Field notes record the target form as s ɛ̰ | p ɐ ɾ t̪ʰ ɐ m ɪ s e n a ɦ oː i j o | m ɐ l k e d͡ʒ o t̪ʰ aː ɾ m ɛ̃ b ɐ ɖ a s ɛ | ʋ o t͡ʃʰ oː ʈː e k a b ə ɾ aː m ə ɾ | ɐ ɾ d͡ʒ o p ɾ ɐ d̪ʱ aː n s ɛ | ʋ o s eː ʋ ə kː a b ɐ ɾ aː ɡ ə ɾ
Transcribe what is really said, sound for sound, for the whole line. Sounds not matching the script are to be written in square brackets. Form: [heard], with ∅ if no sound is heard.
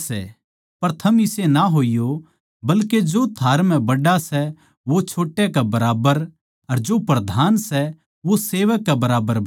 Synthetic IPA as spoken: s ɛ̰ | p ɐ ɾ t̪ʰ ɐ m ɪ s e n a ɦ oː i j o | [b] ɐ l k e d͡ʒ o t̪ʰ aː ɾ m ɛ̃ b ɐ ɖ a s ɛ | ʋ o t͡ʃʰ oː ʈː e k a b [ɐ] ɾ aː [b] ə ɾ | ɐ ɾ d͡ʒ o p ɾ ɐ d̪ʱ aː n s ɛ | ʋ o s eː ʋ ə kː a b ɐ ɾ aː [b] ə ɾ